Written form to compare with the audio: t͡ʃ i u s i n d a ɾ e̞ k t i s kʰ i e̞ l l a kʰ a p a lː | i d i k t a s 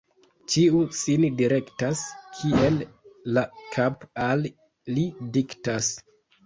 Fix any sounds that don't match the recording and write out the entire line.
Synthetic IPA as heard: t͡ʃ i u s i n d i ɾ e̞ k t a s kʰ i e̞ l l a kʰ a p a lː | i d i k t a s